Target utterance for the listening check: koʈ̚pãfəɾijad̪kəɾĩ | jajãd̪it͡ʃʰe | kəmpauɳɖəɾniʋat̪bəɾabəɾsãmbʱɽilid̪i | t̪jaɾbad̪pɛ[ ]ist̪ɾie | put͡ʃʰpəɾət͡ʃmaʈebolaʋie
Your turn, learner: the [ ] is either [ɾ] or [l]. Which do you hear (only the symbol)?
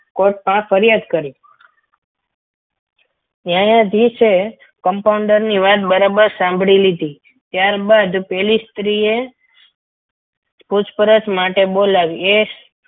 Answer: l